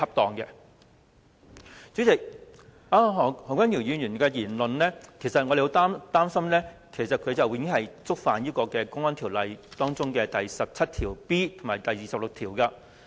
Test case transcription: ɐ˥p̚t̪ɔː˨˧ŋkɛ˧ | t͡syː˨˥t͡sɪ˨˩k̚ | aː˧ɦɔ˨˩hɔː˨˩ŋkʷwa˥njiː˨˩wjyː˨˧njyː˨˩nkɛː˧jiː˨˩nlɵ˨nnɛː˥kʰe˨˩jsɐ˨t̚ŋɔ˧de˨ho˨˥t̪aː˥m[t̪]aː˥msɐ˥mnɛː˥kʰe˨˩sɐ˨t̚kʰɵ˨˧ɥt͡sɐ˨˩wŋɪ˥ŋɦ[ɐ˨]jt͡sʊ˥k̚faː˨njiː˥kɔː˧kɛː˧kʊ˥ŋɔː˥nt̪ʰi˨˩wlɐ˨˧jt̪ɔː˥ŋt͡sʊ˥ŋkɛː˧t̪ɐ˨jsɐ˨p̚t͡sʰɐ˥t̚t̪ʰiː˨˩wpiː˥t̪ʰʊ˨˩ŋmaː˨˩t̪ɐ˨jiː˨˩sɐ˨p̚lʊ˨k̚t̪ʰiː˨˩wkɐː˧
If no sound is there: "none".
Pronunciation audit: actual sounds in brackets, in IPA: t̪, ɐ˨

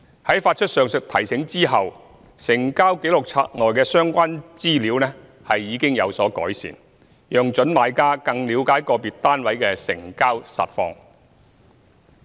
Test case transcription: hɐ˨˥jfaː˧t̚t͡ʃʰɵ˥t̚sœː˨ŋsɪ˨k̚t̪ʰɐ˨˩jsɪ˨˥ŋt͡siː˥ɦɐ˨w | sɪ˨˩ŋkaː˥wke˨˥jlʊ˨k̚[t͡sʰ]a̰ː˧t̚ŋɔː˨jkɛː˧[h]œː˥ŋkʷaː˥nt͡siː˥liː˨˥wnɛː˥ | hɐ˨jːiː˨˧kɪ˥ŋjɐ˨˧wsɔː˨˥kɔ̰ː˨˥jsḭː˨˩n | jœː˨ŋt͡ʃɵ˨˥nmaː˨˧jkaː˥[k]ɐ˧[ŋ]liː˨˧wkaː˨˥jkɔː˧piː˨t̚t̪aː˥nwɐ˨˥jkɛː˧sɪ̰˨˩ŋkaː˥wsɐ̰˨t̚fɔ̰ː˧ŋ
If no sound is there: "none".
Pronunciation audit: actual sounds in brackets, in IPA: t͡sʰ, s, k, ŋ

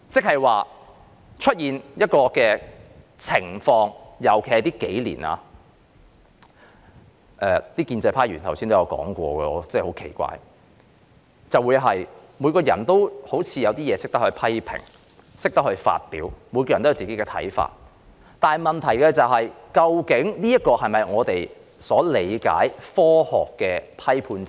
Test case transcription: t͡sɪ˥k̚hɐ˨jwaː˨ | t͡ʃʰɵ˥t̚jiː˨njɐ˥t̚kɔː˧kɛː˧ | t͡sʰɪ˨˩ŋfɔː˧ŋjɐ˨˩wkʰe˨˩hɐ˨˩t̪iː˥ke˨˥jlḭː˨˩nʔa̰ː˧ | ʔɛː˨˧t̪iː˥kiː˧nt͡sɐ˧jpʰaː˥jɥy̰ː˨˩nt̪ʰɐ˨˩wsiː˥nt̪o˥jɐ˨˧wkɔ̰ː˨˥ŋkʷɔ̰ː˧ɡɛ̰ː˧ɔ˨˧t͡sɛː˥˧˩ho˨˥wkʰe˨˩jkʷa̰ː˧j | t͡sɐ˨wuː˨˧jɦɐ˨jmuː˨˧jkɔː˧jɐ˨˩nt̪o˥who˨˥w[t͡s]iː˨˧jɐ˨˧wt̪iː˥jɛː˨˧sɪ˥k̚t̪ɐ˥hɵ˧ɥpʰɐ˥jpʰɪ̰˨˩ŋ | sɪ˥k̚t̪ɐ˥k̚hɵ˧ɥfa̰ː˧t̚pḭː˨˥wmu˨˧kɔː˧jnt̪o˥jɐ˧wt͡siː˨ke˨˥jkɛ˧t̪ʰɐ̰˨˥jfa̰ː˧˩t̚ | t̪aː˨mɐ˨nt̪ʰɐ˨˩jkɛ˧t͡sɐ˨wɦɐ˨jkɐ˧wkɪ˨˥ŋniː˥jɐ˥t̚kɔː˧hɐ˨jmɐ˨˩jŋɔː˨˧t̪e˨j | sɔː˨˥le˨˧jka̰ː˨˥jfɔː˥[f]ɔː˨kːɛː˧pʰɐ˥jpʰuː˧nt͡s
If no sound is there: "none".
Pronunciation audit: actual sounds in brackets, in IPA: t͡sʰ, h

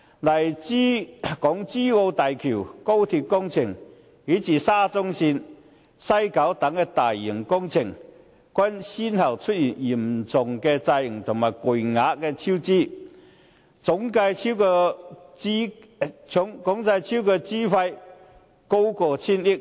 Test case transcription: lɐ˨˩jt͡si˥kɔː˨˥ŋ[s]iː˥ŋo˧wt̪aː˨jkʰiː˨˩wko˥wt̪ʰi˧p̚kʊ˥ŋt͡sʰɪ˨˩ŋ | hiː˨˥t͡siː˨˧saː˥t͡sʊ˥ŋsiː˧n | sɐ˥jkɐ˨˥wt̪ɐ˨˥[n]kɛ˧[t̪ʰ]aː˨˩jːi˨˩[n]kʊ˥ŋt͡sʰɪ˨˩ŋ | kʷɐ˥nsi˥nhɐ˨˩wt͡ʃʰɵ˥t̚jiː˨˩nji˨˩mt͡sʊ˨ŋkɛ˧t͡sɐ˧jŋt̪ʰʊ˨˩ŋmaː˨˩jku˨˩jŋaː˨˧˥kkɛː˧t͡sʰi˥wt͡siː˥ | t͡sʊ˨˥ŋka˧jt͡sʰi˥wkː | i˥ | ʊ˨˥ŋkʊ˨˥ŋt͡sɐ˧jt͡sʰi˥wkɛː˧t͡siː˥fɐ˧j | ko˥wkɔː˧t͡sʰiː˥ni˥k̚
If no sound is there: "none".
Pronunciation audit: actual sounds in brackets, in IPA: t͡s, ŋ, t̪, ŋ

